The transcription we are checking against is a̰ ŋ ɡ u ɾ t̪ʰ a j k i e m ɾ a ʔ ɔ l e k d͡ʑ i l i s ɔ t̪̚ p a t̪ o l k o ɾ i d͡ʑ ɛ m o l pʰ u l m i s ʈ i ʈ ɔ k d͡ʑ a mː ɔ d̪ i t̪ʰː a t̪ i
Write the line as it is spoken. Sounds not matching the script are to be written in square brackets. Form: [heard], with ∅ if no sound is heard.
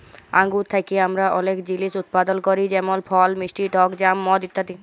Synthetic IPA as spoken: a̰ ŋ ɡ u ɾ t̪ʰ a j k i [a] m ɾ a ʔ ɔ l e k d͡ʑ i l i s [u] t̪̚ p a [d̪] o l k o ɾ i d͡ʑ ɛ m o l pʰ [ɔ] l m i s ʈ i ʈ ɔ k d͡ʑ a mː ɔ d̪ i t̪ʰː a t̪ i